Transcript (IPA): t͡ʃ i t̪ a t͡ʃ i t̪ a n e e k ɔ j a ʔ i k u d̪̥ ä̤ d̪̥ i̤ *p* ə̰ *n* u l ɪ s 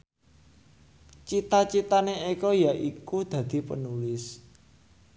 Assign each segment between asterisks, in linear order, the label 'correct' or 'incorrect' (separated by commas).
correct, correct